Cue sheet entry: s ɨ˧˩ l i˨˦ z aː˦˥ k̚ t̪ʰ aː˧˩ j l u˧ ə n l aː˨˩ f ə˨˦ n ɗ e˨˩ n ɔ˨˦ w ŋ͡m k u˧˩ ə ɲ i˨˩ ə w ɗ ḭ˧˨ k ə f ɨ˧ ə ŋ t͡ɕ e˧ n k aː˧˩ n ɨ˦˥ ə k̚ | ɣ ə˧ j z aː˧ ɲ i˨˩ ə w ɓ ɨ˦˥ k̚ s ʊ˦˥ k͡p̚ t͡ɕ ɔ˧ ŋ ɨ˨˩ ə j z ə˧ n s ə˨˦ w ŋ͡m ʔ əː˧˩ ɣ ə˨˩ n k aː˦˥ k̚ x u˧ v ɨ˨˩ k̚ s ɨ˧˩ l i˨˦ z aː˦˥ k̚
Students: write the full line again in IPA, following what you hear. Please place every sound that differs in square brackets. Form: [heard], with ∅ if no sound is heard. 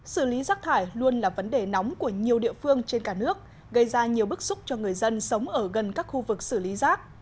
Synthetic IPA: s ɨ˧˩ l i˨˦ z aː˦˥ k̚ t̪ʰ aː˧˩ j l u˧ ə n l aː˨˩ [v] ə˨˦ n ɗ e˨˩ n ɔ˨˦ w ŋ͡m k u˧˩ ə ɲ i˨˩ ə w ɗ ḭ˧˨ [∅] ə f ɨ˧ ə ŋ t͡ɕ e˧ n k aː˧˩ n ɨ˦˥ ə k̚ | ɣ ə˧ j z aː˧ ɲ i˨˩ ə w ɓ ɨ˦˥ k̚ s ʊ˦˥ k͡p̚ t͡ɕ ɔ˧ ŋ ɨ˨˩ ə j z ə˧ n s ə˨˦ w ŋ͡m ʔ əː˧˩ ɣ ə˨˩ n k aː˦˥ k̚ x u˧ v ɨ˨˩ k̚ s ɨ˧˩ l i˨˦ z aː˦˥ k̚

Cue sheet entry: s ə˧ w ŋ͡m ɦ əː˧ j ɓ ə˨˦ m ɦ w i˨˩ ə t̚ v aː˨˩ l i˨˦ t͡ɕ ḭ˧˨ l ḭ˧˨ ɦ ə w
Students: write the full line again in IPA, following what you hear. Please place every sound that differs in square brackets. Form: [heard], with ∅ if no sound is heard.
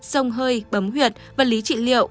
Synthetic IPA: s ə˧ w ŋ͡m ɦ əː˧ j ɓ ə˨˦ m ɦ w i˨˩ ə t̚ v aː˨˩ l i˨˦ t͡ɕ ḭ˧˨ l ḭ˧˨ [∅] ə w

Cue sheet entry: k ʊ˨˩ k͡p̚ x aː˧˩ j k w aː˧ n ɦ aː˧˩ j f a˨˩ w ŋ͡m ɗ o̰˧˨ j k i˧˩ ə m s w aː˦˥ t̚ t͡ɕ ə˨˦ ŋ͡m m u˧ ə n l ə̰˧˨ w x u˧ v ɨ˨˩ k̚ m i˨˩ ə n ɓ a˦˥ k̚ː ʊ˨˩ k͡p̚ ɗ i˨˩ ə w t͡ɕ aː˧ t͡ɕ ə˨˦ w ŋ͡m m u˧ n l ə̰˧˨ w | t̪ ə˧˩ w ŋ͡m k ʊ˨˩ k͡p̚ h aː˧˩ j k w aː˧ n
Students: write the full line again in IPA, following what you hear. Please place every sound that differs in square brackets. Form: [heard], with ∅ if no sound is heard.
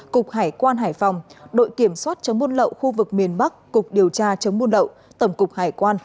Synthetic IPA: k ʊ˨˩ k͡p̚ [h] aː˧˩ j k w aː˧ n ɦ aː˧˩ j f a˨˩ w ŋ͡m ɗ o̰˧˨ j k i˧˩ ə m s w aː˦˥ t̚ t͡ɕ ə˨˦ ŋ͡m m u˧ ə n l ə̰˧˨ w x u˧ v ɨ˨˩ k̚ m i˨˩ ə n ɓ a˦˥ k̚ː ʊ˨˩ k͡p̚ ɗ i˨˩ ə w t͡ɕ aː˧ t͡ɕ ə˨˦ w ŋ͡m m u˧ n l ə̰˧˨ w | t̪ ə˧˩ w ŋ͡m k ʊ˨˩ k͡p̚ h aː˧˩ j k w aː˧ n

